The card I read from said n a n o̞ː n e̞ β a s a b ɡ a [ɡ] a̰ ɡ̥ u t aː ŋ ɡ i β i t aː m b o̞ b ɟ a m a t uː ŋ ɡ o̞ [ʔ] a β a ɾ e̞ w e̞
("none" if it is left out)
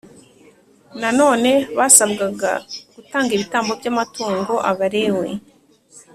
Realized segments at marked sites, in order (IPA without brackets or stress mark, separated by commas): ɡ, ʔ